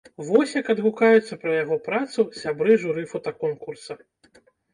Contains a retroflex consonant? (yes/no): yes